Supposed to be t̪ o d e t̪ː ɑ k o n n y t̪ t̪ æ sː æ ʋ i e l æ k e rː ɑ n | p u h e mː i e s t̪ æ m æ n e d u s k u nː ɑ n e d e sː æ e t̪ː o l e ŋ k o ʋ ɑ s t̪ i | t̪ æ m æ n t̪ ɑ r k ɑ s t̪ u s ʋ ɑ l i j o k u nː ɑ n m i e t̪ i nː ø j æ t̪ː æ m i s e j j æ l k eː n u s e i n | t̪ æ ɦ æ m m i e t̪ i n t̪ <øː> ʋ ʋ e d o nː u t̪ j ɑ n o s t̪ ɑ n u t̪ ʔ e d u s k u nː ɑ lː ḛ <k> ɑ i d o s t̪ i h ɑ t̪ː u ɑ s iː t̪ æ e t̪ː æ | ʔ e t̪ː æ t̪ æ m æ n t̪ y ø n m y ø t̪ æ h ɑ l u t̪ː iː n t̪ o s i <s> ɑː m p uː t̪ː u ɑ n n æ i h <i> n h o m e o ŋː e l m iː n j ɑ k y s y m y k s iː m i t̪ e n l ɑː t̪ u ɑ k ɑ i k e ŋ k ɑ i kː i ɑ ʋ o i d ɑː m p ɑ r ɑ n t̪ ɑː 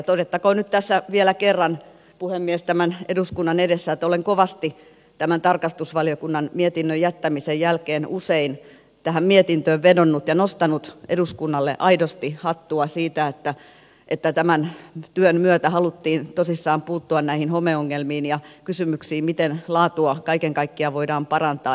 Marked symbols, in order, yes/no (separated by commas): yes, no, no, yes